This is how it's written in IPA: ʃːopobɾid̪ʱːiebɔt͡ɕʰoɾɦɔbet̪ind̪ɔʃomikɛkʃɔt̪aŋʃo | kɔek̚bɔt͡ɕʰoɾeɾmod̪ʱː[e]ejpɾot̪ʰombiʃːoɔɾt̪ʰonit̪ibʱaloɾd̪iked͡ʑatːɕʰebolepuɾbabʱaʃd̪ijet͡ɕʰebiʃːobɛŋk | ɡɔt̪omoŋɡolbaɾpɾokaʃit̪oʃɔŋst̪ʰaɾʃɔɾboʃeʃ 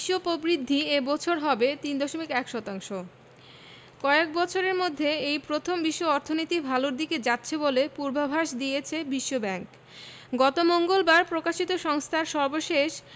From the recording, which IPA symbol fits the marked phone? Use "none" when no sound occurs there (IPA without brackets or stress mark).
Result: e